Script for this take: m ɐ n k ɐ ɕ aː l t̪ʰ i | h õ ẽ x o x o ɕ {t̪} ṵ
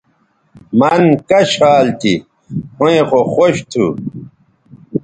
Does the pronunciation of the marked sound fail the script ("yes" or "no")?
yes